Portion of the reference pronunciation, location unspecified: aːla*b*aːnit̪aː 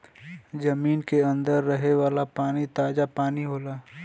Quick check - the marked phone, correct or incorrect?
incorrect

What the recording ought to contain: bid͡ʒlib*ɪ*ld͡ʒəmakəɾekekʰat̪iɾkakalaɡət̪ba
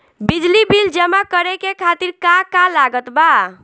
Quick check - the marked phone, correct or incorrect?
incorrect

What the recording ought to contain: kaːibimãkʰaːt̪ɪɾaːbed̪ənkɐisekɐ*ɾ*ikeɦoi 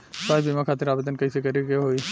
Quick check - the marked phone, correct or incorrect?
correct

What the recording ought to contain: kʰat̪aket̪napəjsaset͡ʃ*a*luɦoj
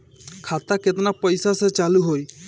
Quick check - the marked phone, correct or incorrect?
correct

